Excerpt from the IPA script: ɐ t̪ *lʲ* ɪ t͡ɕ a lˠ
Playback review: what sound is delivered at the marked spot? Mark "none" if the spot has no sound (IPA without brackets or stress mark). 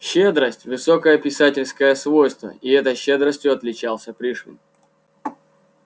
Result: lʲ